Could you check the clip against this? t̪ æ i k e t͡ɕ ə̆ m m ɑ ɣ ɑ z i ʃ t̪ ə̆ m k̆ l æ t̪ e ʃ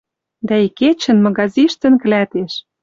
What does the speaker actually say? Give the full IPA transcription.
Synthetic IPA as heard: d̪ æ i k e t͡ɕ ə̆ n m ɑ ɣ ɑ z i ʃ t̪ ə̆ n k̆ l æ t̪ e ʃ